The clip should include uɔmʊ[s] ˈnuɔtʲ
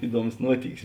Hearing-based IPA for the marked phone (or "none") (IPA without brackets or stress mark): s